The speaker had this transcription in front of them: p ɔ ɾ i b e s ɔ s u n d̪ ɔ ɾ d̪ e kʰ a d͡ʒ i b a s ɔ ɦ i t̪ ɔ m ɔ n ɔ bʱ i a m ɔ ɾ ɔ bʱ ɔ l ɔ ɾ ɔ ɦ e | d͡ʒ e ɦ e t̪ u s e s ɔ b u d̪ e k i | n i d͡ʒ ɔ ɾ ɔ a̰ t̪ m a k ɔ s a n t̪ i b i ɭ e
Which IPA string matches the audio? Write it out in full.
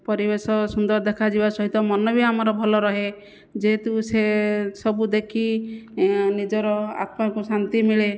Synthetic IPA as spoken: p ɔ ɾ i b e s ɔ s u n d̪ ɔ ɾ d̪ e kʰ a d͡ʒ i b a s ɔ ɦ i t̪ ɔ m ɔ n ɔ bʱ i a m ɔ ɾ ɔ bʱ ɔ l ɔ ɾ ɔ ɦ e | d͡ʒ e ɦ e t̪ u s e s ɔ b u d̪ e kʰ i | n i d͡ʒ ɔ ɾ ɔ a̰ t̪ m a k u s a n t̪ i m i ɭ e